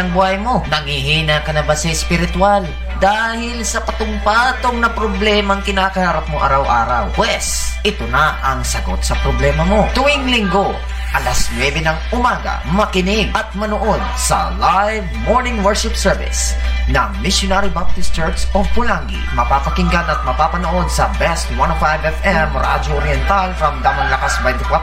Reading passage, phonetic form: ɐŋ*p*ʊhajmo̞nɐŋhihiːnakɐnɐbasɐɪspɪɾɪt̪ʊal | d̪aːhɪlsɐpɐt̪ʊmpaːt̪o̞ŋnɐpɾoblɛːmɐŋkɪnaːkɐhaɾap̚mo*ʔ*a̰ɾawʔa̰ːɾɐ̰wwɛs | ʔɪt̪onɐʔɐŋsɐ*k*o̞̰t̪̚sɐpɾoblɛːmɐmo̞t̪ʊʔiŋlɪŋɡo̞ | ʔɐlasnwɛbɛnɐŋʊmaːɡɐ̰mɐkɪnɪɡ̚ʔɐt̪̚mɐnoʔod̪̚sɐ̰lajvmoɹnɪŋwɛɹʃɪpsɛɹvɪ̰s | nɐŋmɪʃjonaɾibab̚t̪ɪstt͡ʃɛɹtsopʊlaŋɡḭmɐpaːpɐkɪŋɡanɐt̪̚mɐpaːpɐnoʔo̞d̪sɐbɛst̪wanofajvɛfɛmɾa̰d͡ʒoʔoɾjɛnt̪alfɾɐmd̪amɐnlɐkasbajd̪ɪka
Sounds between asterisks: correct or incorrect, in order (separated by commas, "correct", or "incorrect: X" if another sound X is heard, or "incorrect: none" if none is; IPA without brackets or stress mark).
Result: incorrect: b, correct, incorrect: ɡ